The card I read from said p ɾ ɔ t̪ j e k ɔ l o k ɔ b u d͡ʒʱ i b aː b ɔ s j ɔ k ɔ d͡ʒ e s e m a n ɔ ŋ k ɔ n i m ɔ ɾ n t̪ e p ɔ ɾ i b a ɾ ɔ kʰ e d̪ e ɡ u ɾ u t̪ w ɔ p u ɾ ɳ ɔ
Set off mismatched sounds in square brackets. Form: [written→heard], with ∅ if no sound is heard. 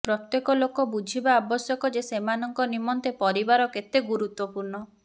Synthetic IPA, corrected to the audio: p ɾ ɔ t̪ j e k ɔ l o k ɔ b u d͡ʒʱ i b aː b ɔ s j ɔ k ɔ d͡ʒ e s e m a n ɔ ŋ k ɔ n i m ɔ [ɾ→∅] n t̪ e p ɔ ɾ i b a ɾ ɔ [kʰ→k] e [d̪→t̪] e ɡ u ɾ u t̪ w ɔ p u ɾ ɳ ɔ